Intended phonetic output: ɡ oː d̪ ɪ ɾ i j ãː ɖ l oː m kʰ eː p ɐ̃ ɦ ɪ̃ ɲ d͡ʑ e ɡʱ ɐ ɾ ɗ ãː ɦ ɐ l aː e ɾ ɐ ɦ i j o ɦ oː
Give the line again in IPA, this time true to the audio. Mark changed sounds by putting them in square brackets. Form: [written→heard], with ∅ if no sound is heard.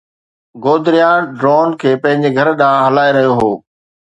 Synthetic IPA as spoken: ɡ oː d̪ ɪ ɾ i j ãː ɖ [l→ɾ] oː [m→n] kʰ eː p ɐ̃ ɦ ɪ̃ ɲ d͡ʑ e ɡʱ ɐ ɾ ɗ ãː ɦ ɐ l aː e ɾ ɐ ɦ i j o ɦ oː